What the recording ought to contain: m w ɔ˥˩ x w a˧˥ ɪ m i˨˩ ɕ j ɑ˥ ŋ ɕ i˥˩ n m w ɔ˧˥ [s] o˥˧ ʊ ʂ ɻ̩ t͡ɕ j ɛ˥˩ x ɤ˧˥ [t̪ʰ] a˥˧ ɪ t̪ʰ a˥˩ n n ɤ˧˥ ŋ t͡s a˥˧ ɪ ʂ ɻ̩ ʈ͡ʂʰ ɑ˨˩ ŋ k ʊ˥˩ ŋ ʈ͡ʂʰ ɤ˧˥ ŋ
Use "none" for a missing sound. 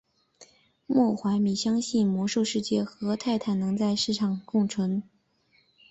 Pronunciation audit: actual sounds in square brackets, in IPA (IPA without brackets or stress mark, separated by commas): ʂ, t̪ʰ